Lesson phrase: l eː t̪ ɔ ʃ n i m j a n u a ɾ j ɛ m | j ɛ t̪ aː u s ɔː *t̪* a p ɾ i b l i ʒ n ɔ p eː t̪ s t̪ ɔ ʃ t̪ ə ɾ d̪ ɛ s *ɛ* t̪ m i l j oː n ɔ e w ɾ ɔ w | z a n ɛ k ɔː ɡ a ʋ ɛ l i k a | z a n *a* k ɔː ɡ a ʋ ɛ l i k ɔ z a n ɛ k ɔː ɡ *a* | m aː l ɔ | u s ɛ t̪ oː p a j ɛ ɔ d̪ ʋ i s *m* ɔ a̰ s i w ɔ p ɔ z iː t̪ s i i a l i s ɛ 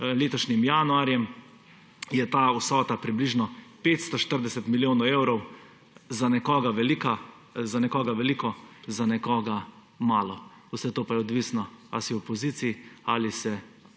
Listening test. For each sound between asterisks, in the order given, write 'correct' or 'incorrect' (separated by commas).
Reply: correct, correct, incorrect, correct, incorrect